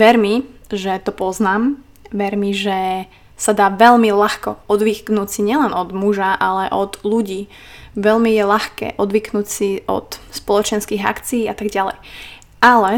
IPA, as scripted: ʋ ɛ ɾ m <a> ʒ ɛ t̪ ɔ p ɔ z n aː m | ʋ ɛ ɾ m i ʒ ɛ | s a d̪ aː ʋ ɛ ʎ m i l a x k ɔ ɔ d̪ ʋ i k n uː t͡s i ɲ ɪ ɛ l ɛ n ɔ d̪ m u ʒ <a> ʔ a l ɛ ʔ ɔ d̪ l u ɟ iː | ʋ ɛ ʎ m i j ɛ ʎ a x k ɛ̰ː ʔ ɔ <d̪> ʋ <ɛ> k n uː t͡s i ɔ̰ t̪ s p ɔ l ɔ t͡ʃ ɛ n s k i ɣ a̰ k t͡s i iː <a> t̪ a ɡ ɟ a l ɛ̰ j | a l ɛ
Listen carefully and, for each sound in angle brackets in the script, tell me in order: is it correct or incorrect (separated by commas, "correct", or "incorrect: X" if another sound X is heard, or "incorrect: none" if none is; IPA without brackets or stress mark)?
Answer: incorrect: i, correct, correct, incorrect: i, correct